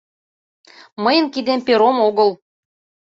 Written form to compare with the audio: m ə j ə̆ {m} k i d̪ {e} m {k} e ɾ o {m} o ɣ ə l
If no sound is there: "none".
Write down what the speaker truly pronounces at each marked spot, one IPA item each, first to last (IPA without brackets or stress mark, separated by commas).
n, e, p, m